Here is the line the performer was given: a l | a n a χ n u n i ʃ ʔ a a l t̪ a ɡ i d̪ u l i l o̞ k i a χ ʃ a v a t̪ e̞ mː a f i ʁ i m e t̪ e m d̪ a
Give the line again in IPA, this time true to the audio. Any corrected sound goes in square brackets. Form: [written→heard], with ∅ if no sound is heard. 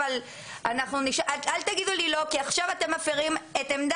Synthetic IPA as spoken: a l | a n a χ n u n i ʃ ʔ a a l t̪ a ɡ i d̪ u l i l o̞ k i a χ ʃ a v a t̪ e̞ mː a f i ʁ i m e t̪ e m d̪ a